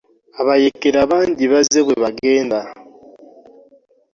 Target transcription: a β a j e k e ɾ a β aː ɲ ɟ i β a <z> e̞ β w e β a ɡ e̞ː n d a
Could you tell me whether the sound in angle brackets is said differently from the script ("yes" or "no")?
no